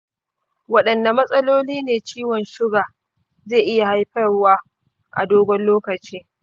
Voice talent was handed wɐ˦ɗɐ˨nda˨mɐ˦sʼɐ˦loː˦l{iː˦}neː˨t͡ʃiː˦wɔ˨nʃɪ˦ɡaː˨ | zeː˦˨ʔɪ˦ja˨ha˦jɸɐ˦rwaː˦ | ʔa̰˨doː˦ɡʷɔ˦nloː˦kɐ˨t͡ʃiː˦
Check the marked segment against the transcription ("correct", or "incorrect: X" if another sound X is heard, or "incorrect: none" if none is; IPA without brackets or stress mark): correct